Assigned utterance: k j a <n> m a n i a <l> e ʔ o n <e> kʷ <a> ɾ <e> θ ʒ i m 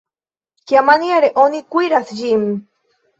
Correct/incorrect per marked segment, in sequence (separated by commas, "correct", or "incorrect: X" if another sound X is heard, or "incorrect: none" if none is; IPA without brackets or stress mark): incorrect: none, incorrect: ɾ, incorrect: i, incorrect: i, incorrect: a